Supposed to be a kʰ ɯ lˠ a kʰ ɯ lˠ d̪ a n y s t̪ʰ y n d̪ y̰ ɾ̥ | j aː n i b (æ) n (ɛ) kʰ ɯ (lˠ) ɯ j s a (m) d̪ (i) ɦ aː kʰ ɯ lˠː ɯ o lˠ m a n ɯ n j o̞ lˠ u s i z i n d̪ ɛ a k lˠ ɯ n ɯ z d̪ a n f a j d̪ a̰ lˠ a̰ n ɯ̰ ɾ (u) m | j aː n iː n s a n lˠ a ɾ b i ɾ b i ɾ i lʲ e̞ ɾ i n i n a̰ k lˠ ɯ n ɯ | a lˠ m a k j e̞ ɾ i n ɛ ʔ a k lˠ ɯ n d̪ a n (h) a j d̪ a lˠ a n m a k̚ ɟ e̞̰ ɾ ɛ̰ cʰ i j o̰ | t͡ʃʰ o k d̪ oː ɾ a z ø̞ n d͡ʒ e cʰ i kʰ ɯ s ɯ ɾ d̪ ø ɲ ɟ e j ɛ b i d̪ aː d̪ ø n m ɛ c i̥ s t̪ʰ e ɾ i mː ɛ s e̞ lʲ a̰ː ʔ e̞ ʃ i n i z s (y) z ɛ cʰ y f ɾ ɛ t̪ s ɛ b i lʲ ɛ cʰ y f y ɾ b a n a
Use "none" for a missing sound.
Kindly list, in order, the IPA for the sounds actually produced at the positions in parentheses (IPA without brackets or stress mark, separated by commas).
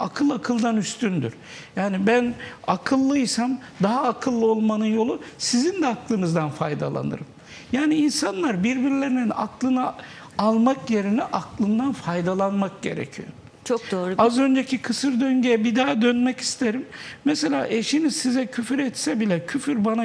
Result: æ, a, lˠː, m, a, ɯ, f, i